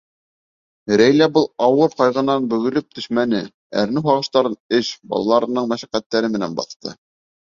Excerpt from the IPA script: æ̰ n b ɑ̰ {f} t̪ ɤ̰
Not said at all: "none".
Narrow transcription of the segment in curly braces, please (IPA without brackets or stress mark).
θ